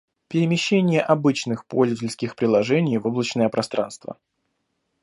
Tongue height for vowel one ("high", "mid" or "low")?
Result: high